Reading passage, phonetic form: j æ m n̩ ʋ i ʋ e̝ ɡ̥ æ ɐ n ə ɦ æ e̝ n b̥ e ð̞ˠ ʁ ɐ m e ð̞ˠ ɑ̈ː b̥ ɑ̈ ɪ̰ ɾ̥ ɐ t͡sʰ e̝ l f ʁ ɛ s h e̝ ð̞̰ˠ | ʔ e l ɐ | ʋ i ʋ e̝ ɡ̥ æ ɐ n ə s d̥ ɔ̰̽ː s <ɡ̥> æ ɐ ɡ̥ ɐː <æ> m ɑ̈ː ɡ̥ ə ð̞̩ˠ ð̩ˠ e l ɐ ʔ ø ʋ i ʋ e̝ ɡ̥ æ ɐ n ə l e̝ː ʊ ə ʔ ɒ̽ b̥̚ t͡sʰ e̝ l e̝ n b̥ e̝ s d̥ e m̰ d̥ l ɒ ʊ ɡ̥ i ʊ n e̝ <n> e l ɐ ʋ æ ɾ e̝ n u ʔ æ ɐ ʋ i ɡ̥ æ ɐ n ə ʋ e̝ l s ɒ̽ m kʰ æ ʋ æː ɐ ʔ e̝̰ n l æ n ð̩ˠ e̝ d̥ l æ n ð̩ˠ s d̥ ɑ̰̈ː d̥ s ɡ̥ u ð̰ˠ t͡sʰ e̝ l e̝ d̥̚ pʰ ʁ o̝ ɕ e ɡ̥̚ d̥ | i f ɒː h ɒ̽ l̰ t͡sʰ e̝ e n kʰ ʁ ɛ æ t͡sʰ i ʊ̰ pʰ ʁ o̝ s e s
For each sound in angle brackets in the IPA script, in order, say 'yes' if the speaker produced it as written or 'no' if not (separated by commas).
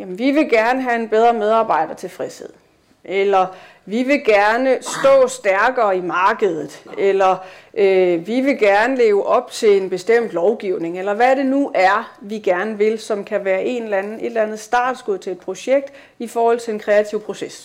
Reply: no, no, no